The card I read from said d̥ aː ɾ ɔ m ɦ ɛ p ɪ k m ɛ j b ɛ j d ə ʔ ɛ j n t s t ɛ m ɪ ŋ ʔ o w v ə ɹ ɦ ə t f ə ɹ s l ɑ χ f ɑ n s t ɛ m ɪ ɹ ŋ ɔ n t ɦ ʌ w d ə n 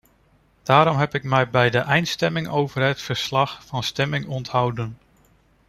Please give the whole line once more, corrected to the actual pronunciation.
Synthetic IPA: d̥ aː ɾ ɔ m ɦ ɛ p ɪ k m ɛ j b ɛ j d ə ʔ ɛ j n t s t ɛ m ɪ ŋ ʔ o w v ə ɹ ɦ ə t f ə ɹ s l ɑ χ f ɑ n s t ɛ m ɪ ŋ ɔ n t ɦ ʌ w d ə n